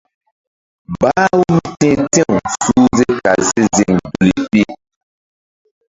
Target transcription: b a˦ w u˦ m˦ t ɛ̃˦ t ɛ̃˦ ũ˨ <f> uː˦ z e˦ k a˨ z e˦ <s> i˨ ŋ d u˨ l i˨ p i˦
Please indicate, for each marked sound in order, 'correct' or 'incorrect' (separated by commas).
incorrect, incorrect